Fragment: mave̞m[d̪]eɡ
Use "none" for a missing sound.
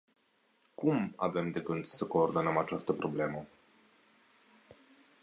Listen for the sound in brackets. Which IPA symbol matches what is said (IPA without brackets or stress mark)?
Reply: d̪